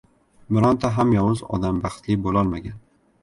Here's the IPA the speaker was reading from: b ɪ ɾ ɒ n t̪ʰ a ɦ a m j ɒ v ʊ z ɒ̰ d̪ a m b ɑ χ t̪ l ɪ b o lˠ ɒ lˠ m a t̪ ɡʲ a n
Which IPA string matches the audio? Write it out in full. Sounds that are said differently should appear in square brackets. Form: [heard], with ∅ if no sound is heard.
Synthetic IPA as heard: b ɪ ɾ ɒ n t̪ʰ a ɦ a m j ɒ [w] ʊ z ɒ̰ d̪ a m b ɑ χ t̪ l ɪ b o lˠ ɒ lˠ m a [∅] ɡʲ a n